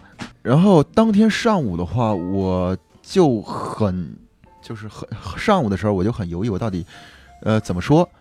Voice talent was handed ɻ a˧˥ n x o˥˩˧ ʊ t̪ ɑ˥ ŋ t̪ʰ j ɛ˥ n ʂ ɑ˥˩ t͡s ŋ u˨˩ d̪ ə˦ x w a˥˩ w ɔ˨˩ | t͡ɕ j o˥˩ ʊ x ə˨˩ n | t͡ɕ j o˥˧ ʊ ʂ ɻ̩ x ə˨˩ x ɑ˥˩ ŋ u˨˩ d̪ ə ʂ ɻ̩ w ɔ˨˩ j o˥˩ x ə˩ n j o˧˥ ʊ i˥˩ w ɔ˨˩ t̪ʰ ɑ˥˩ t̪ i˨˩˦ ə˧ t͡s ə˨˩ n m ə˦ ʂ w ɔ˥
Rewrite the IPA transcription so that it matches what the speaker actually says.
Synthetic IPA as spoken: ɻ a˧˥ n x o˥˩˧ ʊ t̪ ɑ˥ ŋ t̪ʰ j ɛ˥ n ʂ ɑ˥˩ ŋ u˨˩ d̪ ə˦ x w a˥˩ w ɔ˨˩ | t͡ɕ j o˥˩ ʊ x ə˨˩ n | t͡ɕ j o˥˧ ʊ ʂ ɻ̩ x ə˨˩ ʂ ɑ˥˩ ŋ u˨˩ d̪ ə ʂ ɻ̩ w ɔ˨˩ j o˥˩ x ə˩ n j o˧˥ ʊ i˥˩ w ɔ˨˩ t̪ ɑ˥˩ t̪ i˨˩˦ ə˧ t͡s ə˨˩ n m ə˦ ʂ w ɔ˥